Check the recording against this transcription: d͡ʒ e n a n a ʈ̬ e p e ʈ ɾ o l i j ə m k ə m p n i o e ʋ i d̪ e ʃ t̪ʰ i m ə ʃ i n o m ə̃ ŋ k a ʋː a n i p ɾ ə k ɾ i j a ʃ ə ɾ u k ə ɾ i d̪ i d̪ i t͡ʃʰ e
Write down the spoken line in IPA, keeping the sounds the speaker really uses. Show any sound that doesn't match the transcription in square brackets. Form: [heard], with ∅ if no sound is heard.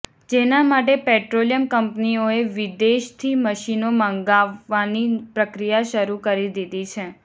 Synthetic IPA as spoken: d͡ʒ e n a [m] a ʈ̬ e p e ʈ ɾ o l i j ə m k ə m p n i o e ʋ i d̪ e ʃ t̪ʰ i m ə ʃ i n o m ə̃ ŋ [ɡ] a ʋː a n i p ɾ ə k ɾ i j a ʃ ə ɾ u k ə ɾ i d̪ i d̪ i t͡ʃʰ e